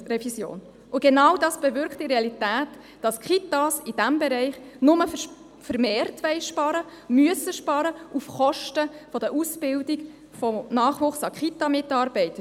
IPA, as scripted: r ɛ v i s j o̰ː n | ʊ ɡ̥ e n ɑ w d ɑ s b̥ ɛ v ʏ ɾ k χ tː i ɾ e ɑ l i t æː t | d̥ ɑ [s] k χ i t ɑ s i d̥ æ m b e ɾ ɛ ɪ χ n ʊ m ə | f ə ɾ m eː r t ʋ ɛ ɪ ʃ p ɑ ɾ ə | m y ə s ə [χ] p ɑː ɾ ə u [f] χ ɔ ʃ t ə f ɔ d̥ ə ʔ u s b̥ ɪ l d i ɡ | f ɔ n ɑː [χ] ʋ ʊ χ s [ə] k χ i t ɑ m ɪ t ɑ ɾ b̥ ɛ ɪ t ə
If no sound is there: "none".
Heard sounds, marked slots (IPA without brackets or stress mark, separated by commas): s, ʃ, f, χ, ɑ